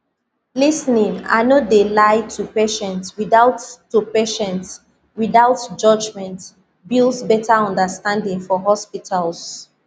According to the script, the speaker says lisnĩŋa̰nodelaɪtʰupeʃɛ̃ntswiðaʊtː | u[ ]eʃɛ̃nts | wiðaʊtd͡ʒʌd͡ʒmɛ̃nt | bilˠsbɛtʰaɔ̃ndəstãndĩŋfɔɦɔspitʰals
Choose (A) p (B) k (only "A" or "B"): A